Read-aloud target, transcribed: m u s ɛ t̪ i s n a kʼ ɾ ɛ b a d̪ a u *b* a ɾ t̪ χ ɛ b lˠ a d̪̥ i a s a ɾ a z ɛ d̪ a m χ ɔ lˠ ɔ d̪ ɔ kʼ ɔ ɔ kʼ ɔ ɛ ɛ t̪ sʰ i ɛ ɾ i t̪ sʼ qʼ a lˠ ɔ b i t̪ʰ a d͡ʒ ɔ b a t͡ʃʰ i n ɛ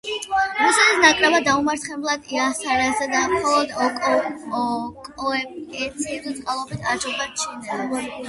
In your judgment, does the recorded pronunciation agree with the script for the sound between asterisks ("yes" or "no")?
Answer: no